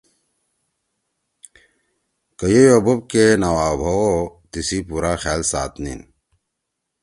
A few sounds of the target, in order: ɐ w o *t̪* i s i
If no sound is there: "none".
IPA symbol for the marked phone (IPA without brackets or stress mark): t̪